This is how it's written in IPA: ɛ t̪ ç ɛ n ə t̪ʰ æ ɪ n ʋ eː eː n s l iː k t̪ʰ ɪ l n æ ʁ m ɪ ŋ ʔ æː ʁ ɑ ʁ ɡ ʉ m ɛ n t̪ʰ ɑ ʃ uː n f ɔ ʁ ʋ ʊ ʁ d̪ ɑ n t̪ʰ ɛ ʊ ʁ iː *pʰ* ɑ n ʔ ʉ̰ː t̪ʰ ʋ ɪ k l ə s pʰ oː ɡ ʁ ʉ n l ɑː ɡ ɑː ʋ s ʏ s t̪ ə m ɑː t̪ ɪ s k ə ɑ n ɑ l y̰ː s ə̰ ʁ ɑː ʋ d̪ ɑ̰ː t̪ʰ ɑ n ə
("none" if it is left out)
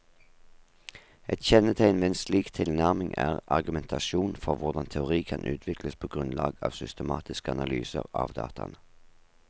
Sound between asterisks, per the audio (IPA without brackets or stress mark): kʰ